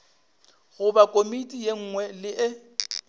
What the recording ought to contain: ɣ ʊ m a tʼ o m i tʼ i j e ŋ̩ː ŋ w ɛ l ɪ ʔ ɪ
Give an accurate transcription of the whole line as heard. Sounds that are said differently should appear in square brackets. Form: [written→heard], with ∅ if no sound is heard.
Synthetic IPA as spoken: ɣ ʊ [m→b] a [tʼ→kʼ] o m i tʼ i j e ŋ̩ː ŋ w ɛ l ɪ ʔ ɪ